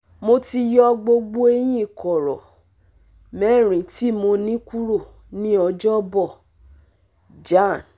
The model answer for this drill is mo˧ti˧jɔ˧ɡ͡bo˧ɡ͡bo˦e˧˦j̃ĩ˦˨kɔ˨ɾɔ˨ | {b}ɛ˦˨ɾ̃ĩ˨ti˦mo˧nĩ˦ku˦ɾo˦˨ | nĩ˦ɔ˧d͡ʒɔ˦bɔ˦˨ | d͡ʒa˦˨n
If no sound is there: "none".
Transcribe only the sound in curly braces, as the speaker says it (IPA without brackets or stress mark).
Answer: m